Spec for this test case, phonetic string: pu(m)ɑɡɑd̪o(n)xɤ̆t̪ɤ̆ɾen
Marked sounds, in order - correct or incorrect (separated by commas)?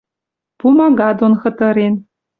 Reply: correct, correct